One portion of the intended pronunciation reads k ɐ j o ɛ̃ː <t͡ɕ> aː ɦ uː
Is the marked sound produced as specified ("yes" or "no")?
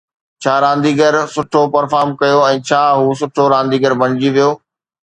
no